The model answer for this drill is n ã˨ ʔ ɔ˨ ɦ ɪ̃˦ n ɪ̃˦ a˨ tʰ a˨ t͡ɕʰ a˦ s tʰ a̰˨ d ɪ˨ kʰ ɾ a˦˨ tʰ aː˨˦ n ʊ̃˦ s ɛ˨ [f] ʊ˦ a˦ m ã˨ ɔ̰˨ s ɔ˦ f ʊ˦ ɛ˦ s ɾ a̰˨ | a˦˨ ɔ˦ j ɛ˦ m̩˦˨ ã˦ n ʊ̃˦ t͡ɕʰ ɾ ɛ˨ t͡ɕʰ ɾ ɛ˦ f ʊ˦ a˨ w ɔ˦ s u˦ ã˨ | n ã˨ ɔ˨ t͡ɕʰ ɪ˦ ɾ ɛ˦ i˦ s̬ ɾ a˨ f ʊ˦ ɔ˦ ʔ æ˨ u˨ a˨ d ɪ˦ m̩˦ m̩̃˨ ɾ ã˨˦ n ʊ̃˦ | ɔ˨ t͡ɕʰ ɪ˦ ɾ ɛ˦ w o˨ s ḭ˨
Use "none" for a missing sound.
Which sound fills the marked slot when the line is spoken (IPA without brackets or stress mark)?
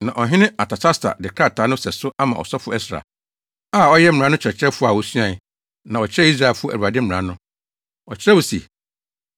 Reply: s